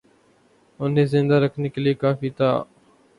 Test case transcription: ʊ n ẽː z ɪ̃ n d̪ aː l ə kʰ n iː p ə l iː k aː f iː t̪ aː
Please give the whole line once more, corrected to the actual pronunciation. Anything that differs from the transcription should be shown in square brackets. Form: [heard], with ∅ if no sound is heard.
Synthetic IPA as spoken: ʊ n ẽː z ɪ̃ n d̪ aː [ɾ] ə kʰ n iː [k] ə l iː k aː f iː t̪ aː